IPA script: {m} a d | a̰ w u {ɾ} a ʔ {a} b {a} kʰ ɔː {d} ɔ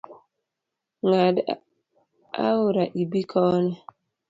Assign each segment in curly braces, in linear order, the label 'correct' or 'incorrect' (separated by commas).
incorrect, correct, incorrect, incorrect, incorrect